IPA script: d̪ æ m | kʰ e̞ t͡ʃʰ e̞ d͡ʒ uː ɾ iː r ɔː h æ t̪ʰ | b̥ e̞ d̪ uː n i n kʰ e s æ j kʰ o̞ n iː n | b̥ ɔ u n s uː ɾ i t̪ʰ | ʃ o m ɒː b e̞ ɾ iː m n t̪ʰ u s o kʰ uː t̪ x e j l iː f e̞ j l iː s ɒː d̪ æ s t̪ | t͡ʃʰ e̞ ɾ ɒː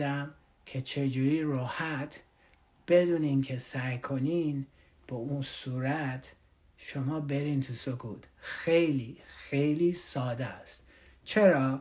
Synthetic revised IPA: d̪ æ m | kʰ e̞ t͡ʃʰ e̞ d͡ʒ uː ɾ iː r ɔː h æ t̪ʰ | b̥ e̞ d̪ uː n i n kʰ e s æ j kʰ o̞ n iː n | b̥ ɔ u n s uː ɾ æ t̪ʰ | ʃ o m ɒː b e̞ ɾ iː n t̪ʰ u s o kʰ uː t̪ x e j l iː x e̞ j l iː s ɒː d̪ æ s t̪ | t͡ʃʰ e̞ ɾ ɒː

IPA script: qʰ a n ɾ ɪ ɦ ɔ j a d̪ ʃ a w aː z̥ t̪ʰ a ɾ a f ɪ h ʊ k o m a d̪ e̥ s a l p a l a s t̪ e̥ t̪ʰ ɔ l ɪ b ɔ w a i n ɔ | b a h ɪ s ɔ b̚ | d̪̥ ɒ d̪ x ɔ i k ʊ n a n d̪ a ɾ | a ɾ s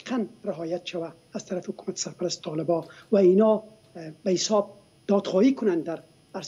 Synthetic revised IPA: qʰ a n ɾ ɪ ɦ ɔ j a t̪ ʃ a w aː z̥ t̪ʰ a ɾ a f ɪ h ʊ k u m a t̪ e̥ s a ɾ p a ɾ a s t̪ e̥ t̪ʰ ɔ l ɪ b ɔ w a i n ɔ | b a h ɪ s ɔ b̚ | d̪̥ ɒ d̪ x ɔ i k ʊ n a n d̪ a ɾ | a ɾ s

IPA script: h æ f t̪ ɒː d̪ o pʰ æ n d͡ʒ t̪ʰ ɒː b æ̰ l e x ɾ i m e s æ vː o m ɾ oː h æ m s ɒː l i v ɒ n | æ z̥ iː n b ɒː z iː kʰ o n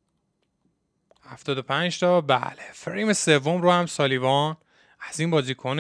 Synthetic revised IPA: h æ f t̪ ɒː d̪ o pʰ æ n d͡ʒ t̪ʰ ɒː b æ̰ l e f ɾ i m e s e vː o m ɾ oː h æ m s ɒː l i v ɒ n | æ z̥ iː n b ɒː z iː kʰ o n

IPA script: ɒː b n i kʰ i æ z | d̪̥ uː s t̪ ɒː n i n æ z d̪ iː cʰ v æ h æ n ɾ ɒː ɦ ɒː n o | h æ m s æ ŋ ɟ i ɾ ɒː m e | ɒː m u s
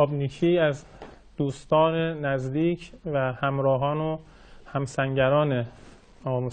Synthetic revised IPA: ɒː b n i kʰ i æ z | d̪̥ uː s t̪ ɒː n e n æ z d̪ iː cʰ v æ h æ m ɾ ɒː ɦ ɒː n o | h æ m s æ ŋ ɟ æ ɾ ɒː n e | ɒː m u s

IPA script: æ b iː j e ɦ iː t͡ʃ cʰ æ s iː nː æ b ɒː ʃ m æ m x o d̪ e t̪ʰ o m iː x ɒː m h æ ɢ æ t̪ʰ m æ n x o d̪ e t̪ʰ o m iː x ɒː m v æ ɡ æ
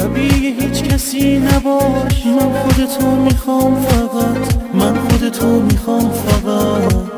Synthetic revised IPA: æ b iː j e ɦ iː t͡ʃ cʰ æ s iː n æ b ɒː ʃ m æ n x o d̪ e t̪ʰ o m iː x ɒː m f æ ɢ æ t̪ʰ m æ n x o d̪ e t̪ʰ o m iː x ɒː m f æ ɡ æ

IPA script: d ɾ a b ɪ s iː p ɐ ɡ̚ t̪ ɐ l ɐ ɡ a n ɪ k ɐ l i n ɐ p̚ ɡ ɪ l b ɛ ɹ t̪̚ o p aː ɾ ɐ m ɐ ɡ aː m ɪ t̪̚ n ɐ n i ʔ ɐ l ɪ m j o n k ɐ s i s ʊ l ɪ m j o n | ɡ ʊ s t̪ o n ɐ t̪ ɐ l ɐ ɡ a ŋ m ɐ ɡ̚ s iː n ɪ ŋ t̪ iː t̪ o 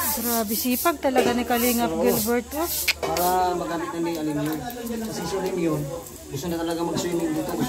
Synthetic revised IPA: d ɾ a b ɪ s iː p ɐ ɡ̚ t̪ ɐ l ɐ ɡ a n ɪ k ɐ l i ŋ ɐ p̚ ɡ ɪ l b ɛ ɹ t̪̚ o p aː ɾ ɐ m ɐ ɡ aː m ɪ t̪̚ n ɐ n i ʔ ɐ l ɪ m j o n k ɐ s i s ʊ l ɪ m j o n | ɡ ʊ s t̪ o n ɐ t̪ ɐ l ɐ ɡ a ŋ m ɐ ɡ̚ s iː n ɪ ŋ d̪ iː t̪ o

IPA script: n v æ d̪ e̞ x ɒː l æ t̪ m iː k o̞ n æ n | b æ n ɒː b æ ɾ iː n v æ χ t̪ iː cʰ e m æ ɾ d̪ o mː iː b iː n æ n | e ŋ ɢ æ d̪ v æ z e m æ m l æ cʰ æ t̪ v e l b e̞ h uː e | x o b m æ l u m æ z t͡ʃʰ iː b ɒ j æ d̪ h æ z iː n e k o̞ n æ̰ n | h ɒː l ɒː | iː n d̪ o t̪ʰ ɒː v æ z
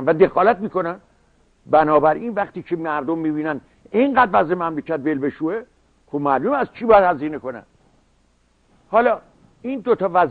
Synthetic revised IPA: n v æ d̪ e̞ x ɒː l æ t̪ m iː k o̞ n æ n | b æ n ɒː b æ ɾ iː n v æ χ t̪ iː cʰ e m æ ɾ d̪ o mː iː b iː n æ n | e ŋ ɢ æ d̪ v æ z e m æ m l e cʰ æ t̪ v e l b e̞ ʃ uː e | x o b m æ l u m æ z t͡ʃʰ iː b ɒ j æ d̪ h æ z iː n e k o̞ n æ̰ n | h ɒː l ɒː | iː n d̪ o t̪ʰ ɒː v æ z

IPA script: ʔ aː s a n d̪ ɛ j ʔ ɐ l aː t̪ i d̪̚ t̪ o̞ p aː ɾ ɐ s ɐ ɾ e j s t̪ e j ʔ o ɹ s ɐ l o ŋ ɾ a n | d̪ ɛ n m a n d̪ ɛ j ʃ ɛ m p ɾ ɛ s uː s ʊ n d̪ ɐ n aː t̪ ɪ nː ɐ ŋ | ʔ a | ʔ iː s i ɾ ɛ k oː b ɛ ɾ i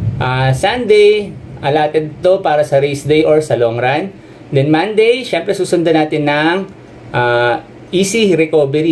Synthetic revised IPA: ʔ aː s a n d̪ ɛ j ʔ ɐ l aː t̪ ɛ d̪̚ t̪ o̞ p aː ɾ ɐ s ɐ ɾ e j s d̪ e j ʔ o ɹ s ɐ l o ŋ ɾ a n | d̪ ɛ n m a n d̪ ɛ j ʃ ɛ m p ɾ ɛ s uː s ʊ n d̪ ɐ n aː t̪ ɪ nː ɐ ŋ | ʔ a | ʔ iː s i ɾ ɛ k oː b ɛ ɾ i

